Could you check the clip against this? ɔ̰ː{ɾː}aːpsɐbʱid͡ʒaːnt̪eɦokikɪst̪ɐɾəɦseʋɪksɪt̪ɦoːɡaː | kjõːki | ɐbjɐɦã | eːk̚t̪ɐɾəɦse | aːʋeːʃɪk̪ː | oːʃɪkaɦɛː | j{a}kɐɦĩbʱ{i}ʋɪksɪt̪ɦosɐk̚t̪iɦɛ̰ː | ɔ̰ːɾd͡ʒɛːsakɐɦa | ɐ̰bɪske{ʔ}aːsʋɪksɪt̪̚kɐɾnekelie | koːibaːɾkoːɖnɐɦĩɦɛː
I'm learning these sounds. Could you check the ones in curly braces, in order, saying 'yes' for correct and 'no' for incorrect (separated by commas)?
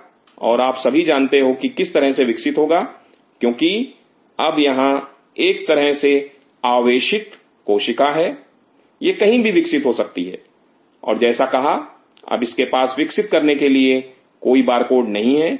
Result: no, no, yes, no